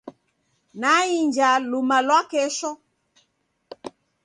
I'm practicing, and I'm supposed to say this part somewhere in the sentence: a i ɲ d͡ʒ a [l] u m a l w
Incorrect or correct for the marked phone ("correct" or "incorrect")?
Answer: correct